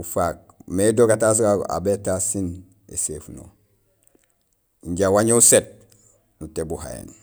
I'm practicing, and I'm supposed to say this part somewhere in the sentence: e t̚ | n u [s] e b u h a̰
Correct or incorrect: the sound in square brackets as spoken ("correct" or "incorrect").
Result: incorrect